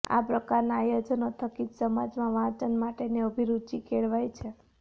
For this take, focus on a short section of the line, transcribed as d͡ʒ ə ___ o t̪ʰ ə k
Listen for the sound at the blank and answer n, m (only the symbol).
n